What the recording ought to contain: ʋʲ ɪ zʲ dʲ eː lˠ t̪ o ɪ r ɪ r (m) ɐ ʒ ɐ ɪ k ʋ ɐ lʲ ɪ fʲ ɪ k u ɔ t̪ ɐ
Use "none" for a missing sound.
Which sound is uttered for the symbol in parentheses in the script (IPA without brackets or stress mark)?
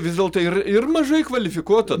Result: m